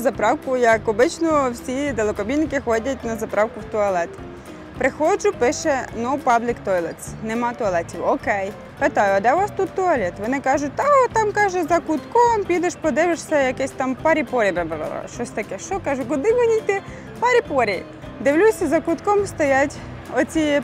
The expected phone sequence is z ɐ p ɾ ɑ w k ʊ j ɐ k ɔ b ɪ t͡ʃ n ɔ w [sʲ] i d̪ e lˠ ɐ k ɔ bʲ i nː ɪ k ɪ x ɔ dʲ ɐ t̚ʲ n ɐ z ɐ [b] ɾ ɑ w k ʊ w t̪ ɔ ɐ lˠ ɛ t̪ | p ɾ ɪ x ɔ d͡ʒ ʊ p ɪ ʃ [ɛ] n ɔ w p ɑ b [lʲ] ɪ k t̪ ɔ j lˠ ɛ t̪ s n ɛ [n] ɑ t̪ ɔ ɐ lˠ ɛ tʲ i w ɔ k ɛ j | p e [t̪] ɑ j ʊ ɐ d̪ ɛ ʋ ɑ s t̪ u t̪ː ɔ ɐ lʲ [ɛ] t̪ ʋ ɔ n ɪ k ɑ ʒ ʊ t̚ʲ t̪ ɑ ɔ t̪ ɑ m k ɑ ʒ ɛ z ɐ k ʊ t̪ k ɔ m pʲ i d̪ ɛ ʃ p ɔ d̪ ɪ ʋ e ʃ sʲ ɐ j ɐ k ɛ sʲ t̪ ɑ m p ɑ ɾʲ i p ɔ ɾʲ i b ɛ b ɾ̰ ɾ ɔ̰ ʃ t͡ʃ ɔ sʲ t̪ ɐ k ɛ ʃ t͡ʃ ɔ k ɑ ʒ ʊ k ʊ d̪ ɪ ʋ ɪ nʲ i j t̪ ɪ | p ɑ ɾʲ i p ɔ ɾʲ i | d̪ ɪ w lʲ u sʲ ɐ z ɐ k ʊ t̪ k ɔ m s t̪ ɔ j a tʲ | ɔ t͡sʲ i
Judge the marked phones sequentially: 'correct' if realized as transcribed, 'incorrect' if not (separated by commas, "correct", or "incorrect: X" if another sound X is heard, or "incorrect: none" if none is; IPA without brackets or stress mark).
correct, incorrect: p, correct, correct, incorrect: m, correct, correct